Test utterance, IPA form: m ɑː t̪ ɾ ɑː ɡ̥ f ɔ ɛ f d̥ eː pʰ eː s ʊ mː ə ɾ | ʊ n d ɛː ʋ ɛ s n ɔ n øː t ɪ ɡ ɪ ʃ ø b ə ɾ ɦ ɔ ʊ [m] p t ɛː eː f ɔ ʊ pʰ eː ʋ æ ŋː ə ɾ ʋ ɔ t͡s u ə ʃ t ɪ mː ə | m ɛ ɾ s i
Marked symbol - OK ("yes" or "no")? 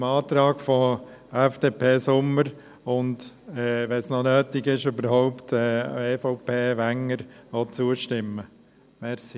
no